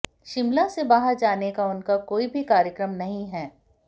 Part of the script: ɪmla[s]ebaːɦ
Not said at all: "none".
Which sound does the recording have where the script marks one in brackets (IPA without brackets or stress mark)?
s